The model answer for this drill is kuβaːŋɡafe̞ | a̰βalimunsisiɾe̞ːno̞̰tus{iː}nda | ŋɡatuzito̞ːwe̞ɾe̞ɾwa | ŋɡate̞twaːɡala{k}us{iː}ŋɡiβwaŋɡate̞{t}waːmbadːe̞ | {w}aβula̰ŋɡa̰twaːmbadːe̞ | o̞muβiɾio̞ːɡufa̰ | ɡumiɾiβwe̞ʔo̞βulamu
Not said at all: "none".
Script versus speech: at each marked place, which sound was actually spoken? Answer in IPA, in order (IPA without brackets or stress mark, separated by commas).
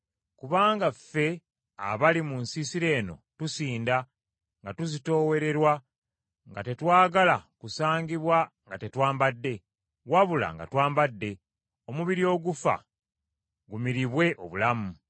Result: iː, k, aː, t, w